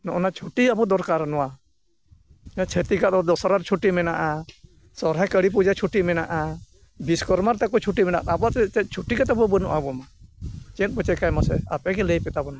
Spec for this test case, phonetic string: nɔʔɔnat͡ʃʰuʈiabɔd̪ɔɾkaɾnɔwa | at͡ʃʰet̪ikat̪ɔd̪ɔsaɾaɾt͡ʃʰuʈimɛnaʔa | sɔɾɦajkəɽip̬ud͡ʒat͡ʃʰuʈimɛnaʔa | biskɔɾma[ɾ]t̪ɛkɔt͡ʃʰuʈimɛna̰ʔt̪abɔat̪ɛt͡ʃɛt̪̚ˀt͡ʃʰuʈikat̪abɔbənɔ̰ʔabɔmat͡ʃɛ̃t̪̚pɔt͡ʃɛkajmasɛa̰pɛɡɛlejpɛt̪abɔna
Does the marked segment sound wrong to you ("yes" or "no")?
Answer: no